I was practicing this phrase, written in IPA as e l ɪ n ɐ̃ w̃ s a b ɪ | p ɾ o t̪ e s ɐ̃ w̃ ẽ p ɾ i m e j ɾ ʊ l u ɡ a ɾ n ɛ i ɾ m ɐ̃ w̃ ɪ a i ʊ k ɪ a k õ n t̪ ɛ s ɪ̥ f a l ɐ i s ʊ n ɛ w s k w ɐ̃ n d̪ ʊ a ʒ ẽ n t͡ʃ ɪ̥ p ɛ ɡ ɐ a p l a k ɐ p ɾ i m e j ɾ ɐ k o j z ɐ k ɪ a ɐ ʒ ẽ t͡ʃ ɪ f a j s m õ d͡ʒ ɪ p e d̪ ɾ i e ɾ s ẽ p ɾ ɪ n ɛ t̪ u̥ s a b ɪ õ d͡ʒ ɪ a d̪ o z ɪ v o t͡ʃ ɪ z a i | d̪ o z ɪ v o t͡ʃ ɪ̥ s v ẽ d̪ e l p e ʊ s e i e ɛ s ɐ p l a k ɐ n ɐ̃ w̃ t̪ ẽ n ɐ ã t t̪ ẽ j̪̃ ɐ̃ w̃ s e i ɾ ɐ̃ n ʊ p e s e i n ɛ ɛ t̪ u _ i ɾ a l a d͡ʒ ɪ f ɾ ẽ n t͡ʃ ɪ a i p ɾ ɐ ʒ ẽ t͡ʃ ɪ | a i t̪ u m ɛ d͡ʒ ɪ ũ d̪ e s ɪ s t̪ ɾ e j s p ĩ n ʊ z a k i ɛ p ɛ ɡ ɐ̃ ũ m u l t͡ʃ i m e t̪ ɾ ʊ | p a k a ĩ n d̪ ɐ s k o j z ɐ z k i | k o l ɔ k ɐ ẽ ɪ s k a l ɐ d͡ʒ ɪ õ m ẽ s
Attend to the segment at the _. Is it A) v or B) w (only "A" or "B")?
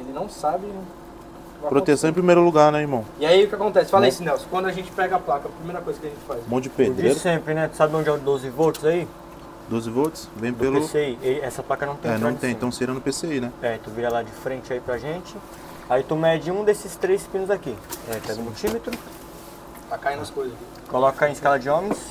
A